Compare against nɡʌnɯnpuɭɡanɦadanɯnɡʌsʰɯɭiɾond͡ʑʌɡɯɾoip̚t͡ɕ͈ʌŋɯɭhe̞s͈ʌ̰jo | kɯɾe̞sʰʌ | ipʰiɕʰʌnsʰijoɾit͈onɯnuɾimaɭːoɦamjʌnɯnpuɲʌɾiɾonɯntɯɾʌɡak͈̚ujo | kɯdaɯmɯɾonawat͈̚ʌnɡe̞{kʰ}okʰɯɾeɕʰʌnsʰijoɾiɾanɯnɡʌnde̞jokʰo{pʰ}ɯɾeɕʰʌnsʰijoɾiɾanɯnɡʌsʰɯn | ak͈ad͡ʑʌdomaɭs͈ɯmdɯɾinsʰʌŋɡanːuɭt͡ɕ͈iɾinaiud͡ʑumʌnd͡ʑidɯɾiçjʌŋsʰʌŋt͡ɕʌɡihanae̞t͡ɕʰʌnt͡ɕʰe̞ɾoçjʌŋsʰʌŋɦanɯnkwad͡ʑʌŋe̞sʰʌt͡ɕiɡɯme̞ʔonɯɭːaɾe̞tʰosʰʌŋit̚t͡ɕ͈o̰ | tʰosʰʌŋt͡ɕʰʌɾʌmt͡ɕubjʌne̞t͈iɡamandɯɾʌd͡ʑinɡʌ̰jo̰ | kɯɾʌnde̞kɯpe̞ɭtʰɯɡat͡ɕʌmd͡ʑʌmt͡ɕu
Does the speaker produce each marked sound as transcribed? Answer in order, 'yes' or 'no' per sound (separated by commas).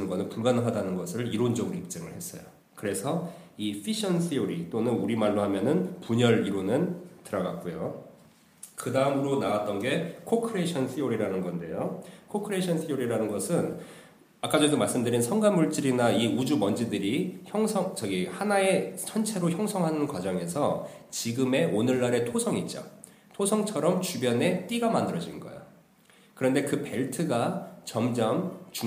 yes, no